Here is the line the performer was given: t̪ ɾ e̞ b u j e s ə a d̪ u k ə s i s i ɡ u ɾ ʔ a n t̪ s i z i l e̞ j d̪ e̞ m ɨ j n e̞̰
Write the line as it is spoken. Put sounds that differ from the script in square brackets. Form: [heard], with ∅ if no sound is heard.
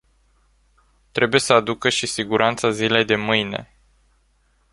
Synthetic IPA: t̪ ɾ e̞ b u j e s ə a d̪ u k ə [ʃ] i s i ɡ u ɾ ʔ a n t̪ s [a] z i l e̞ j d̪ e̞ m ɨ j n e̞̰